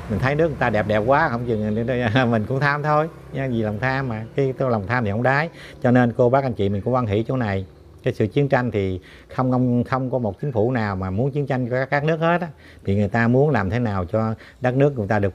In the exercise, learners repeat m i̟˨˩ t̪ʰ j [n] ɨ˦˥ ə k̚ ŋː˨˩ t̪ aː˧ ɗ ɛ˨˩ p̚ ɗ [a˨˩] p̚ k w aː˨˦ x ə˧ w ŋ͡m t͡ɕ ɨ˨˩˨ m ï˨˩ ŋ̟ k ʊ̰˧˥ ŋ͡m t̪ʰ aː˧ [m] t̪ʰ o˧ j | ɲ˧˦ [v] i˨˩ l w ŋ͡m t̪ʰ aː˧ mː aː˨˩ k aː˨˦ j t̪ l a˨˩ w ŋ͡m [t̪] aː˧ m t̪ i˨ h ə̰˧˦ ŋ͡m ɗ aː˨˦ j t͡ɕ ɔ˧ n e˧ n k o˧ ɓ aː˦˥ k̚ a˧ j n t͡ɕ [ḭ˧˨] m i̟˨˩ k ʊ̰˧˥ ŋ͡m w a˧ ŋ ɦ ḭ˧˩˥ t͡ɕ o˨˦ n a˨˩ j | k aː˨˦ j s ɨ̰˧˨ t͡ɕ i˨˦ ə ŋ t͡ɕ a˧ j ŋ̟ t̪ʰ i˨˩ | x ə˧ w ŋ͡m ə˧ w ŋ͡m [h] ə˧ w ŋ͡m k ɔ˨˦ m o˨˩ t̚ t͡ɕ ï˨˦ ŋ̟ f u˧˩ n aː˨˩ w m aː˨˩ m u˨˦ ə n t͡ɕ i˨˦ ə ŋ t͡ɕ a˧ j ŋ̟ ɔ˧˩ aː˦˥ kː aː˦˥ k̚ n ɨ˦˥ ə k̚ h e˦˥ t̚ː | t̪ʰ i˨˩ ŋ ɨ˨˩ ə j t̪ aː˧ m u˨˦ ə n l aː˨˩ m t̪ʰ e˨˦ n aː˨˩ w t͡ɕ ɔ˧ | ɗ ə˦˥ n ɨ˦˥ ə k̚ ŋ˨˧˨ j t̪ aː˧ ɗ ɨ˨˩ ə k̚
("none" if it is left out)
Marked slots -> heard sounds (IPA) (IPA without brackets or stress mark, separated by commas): n, ɛ˨˩, m, z, t̪ʰ, ḭ˧˨, x